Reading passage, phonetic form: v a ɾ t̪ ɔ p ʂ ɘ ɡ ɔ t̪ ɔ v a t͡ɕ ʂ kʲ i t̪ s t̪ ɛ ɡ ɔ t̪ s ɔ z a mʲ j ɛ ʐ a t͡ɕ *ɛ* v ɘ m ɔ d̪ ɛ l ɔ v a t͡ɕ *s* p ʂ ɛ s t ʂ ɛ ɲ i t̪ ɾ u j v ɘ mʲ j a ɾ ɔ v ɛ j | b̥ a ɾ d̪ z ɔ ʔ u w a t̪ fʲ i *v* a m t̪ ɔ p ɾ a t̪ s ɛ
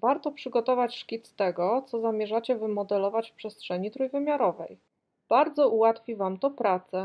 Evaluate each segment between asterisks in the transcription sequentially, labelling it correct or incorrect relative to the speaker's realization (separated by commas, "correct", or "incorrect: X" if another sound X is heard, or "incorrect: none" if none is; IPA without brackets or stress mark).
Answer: correct, incorrect: f, correct